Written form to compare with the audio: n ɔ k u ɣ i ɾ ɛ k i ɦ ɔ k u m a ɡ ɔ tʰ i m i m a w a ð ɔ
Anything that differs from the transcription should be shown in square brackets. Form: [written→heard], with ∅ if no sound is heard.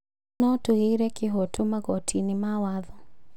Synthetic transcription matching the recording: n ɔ [k→t] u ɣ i ɾ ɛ k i ɦ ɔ [k→t] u m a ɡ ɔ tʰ i [m→n] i m a w a ð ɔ